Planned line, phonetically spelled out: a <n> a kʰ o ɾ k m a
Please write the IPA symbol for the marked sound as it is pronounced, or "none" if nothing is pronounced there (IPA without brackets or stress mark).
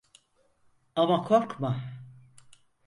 m